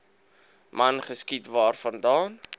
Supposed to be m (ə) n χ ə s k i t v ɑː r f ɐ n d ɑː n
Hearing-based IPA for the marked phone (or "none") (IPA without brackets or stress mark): ɐ